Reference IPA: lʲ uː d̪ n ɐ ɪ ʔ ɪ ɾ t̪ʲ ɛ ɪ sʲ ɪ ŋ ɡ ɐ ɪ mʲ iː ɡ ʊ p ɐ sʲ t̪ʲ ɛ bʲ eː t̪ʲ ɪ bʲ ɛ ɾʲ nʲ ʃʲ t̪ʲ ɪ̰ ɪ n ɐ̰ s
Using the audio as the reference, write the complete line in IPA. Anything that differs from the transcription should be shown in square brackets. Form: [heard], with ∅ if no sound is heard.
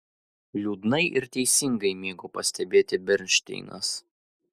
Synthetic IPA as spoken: lʲ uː d̪ n ɐ ɪ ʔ ɪ ɾ t̪ʲ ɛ ɪ sʲ ɪ ŋ ɡ ɐ ɪ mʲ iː ɡ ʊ p ɐ sʲ t̪ʲ ɛ bʲ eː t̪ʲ ɪ bʲ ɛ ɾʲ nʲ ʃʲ t̪ʲ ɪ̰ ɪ n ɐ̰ s